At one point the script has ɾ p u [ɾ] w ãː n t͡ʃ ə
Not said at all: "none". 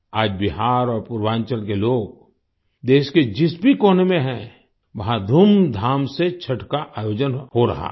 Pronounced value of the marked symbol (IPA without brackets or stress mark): ɾ